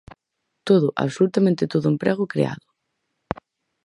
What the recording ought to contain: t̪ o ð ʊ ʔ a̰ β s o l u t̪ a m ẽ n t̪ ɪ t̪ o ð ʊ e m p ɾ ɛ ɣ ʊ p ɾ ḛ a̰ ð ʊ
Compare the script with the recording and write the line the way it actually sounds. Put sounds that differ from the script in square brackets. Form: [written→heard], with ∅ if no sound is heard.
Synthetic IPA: t̪ o ð ʊ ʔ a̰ β s o l u t̪ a m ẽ n t̪ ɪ t̪ o ð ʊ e m p ɾ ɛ ɣ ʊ [p→k] ɾ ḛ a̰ ð ʊ